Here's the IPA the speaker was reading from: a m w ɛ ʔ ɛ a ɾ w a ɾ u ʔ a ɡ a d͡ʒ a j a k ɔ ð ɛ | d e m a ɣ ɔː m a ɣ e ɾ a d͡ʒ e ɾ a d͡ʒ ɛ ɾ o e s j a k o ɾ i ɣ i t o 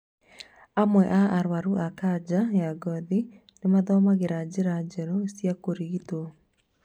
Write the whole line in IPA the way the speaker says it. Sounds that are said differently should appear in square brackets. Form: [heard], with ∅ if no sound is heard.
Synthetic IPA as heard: a m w ɛ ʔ [a] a ɾ w a ɾ u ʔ a [k] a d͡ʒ a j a [ɡ] ɔ ð [i] | [n] e m a [ð] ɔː m a ɣ e ɾ a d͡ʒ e ɾ a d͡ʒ ɛ ɾ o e s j a k o ɾ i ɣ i t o